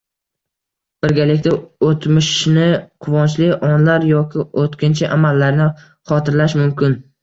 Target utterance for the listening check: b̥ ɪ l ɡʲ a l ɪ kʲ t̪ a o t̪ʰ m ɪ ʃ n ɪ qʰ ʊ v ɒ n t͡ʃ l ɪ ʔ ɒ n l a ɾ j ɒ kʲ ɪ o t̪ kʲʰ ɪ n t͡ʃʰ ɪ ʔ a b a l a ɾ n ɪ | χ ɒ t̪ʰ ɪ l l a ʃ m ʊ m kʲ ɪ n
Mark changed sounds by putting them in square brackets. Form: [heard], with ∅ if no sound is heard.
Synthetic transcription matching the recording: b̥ ɪ [ɾ] ɡʲ a l ɪ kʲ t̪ a o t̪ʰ m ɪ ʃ n ɪ qʰ ʊ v ɒ n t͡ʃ l ɪ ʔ ɒ n l a ɾ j ɒ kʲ ɪ o t̪ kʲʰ ɪ n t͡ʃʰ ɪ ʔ a [m] a [lː] a ɾ n ɪ | χ ɒ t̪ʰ ɪ [ɾ] l a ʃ m ʊ m kʲ ɪ n